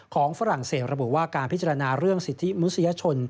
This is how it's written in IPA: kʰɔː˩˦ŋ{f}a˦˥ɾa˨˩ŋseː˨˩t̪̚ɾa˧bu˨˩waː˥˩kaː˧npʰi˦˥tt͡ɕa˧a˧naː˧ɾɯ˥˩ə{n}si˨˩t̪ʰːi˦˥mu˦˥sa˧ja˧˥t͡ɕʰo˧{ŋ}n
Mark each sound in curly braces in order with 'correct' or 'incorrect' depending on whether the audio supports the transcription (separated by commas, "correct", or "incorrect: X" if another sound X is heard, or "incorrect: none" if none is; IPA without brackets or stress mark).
correct, incorrect: ŋ, incorrect: none